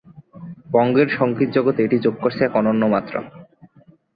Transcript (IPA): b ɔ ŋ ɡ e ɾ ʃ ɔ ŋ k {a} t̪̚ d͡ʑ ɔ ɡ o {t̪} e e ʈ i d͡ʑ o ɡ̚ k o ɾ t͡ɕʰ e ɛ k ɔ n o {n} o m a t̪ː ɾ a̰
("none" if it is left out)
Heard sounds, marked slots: i, t̪, nː

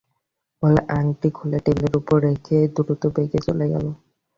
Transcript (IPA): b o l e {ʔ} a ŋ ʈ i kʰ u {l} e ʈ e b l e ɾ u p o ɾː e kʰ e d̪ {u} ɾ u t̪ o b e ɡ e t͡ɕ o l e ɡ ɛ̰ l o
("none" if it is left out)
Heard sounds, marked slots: ʔ, l, u

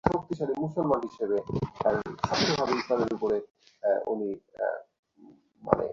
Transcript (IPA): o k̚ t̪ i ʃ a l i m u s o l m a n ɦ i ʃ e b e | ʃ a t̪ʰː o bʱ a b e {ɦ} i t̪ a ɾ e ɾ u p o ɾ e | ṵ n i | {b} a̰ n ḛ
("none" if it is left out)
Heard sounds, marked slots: none, m

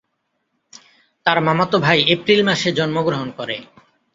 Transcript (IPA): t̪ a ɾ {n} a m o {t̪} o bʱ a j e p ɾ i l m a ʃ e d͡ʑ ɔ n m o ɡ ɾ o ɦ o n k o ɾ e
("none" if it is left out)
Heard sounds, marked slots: m, t̪

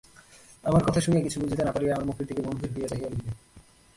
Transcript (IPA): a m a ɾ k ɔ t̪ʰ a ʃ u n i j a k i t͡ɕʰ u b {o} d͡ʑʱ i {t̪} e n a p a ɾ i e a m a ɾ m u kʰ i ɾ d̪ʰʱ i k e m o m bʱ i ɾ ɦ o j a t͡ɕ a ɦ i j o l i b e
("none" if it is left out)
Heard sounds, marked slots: u, t̪

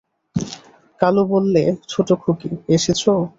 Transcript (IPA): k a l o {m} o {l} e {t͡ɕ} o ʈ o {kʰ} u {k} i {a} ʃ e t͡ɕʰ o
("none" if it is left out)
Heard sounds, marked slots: b, lː, t͡ɕʰ, kʰ, k, e

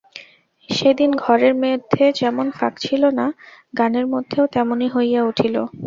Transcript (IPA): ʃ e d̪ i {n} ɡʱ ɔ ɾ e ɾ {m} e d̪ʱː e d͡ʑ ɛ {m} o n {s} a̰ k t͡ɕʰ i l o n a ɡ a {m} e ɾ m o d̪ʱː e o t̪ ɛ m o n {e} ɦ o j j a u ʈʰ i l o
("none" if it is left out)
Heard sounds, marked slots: n, m, m, f, n, i

